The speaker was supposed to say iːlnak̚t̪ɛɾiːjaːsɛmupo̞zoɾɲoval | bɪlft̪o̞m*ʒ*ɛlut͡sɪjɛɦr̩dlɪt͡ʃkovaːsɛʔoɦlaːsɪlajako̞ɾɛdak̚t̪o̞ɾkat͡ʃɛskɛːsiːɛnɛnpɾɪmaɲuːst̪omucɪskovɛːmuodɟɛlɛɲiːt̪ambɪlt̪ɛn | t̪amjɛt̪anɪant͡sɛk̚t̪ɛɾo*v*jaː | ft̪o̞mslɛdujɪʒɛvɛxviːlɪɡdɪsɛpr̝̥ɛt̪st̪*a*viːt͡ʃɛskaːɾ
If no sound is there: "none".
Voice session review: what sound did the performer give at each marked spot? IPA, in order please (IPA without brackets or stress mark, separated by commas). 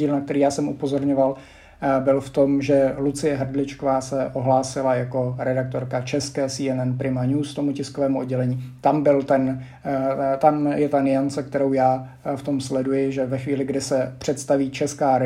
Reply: ʒ, w, a